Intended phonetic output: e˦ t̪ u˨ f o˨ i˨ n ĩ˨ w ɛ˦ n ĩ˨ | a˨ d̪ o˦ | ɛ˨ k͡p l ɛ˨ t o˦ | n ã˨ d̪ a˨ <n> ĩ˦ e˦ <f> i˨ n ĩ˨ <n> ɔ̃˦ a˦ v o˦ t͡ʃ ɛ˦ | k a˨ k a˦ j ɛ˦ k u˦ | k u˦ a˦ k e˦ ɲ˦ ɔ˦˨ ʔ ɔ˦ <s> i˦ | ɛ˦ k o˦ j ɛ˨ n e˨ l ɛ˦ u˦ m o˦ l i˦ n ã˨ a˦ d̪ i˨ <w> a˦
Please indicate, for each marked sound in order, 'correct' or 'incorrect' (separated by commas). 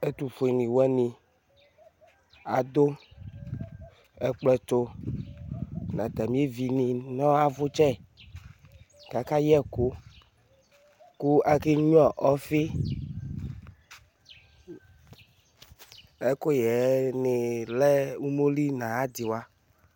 incorrect, incorrect, correct, incorrect, correct